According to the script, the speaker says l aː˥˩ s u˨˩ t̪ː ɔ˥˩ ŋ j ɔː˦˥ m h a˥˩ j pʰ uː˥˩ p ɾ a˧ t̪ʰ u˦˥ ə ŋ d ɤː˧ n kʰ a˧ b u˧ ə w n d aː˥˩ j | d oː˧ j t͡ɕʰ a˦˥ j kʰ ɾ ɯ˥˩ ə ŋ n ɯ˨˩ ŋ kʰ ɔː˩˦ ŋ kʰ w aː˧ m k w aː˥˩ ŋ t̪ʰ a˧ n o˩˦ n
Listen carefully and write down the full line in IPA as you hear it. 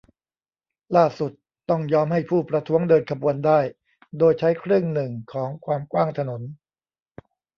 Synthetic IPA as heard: l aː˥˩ s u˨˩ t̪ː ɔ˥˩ ŋ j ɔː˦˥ m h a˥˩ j pʰ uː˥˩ p ɾ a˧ t̪ʰ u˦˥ ə ŋ d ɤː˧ n kʰ a˧ b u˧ ə n d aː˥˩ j | d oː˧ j t͡ɕʰ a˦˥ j kʰ ɾ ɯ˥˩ ə ŋ n ɯ˨˩ ŋ kʰ ɔː˩˦ ŋ kʰ w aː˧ m k w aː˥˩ ŋ t̪ʰ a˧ n o˩˦ n